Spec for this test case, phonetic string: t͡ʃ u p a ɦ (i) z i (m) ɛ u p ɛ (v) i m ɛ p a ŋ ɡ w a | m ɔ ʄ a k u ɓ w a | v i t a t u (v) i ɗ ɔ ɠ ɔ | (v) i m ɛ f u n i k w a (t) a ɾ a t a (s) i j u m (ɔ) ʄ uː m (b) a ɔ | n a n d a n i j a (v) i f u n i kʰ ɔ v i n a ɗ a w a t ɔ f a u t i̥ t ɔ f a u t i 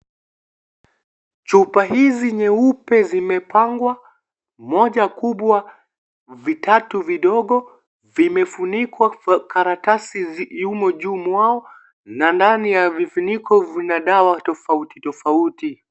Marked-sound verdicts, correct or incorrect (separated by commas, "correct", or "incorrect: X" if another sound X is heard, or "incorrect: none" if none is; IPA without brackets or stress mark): correct, incorrect: ɲ, incorrect: z, correct, correct, incorrect: k, correct, correct, incorrect: w, correct